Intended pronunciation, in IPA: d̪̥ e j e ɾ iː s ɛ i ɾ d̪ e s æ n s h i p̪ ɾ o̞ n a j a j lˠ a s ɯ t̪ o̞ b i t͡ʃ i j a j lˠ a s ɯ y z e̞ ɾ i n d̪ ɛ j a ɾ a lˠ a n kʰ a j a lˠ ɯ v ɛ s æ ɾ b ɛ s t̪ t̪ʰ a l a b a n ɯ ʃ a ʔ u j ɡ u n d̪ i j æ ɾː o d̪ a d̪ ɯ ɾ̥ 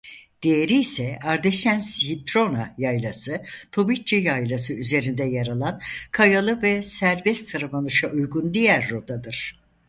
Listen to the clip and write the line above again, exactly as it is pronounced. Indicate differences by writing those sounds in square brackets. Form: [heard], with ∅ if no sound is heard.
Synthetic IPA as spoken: d̪̥ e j e ɾ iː s ɛ [a] ɾ d̪ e [ʃ] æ n s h i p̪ ɾ o̞ n a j a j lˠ a s ɯ [t̪ʰ] o̞ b i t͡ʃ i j a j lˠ a s ɯ y z e̞ ɾ i n d̪ ɛ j a ɾ a lˠ a n kʰ a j a lˠ ɯ v ɛ s æ ɾ b ɛ s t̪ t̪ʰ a [ɾ] a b a n ɯ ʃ a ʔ u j ɡ u n d̪ i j æ ɾː o d̪ a d̪ ɯ ɾ̥